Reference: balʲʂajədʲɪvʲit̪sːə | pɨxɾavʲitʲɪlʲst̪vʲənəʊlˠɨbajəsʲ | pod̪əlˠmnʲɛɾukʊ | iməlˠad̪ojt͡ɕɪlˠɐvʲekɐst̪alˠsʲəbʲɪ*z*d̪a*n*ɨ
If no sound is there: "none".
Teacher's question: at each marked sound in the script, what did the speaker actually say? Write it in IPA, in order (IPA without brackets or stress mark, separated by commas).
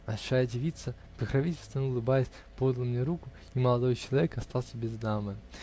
z, m